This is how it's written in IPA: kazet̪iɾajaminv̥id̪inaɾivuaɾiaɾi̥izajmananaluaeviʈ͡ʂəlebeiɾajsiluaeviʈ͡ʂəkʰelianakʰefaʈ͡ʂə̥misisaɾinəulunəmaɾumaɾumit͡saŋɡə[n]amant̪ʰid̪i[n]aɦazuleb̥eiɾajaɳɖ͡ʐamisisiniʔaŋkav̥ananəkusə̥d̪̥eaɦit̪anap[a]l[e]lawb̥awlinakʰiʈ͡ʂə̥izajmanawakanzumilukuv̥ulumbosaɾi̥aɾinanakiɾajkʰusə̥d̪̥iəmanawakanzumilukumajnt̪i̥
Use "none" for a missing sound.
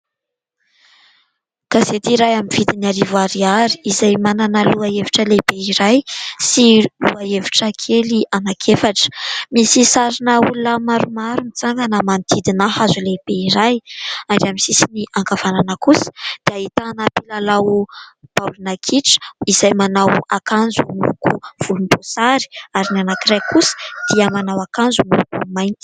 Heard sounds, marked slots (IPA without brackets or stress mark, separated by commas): n, n, i, a